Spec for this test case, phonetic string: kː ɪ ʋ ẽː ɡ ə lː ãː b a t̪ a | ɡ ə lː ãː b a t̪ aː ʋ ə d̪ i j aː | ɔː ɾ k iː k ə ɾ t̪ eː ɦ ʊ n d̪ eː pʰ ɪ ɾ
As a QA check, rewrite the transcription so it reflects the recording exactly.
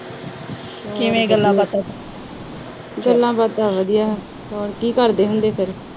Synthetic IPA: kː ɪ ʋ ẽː ɡ ə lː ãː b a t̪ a | ɡ ə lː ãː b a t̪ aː ʋ ə d̪ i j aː | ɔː ɾ k iː k ə ɾ d̪ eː ɦ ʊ n d̪ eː pʰ ɪ ɾ